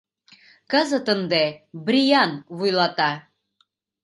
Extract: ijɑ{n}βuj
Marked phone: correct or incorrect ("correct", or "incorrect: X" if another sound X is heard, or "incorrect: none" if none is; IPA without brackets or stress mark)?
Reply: correct